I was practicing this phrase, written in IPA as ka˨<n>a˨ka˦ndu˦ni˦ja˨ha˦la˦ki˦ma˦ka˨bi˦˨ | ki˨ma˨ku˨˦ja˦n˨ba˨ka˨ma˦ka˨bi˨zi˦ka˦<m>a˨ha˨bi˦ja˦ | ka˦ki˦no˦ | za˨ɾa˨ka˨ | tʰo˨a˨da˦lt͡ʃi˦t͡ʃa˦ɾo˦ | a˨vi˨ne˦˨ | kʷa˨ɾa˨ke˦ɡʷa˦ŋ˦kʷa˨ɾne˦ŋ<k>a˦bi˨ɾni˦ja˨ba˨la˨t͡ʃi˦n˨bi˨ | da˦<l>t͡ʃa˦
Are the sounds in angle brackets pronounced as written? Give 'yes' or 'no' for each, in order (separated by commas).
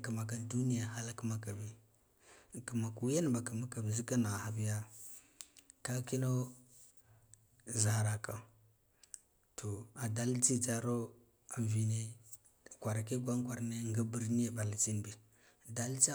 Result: no, no, no, yes